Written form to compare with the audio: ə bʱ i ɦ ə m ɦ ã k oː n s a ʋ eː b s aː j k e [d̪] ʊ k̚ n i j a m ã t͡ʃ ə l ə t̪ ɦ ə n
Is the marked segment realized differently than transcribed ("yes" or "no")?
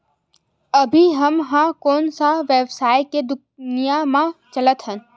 no